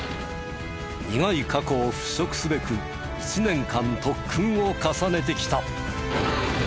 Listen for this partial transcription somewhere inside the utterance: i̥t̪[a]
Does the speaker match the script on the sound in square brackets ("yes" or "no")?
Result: yes